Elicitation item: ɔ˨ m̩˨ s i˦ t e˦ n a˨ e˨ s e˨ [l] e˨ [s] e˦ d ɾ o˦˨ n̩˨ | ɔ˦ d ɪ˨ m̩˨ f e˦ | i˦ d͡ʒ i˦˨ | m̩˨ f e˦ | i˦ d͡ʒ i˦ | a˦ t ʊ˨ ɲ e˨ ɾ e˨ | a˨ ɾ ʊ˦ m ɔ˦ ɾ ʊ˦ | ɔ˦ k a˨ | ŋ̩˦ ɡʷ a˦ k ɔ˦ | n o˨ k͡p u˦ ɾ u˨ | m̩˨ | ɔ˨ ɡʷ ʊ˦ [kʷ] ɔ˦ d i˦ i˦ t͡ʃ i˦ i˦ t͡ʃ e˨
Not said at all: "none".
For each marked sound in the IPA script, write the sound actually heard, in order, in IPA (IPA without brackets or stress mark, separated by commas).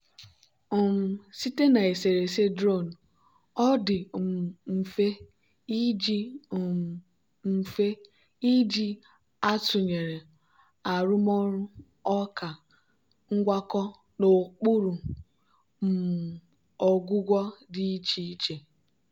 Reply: ɾ, s, ɡʷ